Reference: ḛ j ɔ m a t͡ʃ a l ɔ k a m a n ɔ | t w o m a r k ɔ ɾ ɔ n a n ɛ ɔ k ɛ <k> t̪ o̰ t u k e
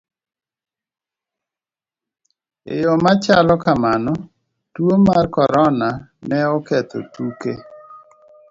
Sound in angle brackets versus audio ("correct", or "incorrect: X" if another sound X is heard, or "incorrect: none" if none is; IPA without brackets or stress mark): incorrect: none